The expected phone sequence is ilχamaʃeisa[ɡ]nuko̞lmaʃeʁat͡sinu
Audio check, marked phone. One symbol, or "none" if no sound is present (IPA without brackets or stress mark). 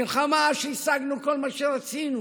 ɡ